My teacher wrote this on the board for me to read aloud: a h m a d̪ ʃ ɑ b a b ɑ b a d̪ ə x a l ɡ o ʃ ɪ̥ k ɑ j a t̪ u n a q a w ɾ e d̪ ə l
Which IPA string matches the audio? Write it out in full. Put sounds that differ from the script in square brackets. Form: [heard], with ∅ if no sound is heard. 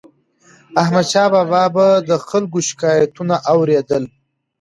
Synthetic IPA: a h m a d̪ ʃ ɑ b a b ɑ b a d̪ ə x a l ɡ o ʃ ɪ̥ k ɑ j a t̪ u n a [ʔ] a w ɾ e d̪ ə l

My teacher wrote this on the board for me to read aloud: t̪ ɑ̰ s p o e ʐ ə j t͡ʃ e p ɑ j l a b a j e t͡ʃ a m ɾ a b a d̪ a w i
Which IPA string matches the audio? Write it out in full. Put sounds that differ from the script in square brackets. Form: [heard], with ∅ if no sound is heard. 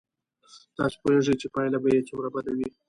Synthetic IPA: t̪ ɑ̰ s p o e ʐ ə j t͡ʃ e p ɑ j l a b a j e t͡ʃ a m ɾ a b a d̪ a w i

